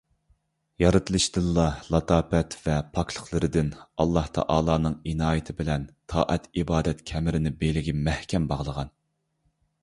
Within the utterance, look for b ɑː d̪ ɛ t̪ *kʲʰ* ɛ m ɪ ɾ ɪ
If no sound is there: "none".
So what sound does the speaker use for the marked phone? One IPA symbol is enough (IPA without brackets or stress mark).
kʲʰ